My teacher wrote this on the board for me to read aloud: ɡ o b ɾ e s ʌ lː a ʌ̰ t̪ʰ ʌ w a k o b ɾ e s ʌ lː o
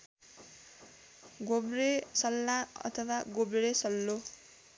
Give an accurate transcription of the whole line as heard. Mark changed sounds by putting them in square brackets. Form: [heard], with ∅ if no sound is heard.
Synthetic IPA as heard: ɡ o b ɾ e s ʌ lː a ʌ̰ t̪ʰ ʌ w a [ɡ] o b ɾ e s ʌ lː o